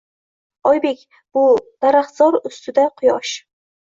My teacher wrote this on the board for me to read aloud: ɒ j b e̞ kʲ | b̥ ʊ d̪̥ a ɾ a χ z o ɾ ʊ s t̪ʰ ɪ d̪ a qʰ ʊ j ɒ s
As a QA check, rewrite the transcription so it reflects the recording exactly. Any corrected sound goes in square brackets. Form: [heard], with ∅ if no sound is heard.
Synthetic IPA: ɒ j b e̞ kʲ | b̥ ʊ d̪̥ a ɾ a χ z [ɒ] ɾ ʊ s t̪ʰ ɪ d̪ a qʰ ʊ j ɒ [ʃ]